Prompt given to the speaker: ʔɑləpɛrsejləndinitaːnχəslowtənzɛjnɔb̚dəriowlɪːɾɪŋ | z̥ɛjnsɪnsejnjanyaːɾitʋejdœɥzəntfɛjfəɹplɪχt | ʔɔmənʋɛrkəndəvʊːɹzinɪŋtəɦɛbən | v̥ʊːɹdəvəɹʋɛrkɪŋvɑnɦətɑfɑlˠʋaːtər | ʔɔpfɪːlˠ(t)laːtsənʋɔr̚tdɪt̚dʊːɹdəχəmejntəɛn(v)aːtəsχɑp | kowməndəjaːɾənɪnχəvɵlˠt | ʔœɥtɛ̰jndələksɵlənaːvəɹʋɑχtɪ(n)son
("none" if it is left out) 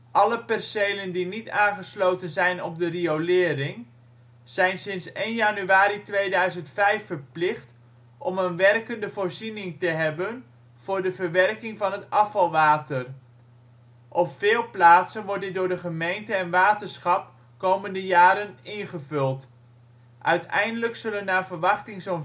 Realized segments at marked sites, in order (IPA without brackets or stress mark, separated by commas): p, ʋ, ŋ